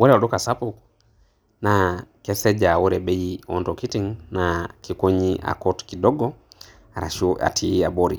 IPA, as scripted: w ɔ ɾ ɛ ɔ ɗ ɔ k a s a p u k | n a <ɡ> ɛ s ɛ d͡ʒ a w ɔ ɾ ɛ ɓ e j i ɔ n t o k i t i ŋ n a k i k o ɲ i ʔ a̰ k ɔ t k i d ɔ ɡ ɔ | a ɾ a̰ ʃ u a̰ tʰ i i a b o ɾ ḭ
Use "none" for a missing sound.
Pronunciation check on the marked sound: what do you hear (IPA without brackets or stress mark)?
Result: k